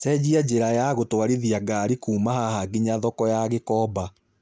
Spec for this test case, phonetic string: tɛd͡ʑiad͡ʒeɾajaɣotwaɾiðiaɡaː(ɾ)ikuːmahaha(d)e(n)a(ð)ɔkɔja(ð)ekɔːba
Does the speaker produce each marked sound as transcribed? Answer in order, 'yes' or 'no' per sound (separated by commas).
yes, no, no, yes, no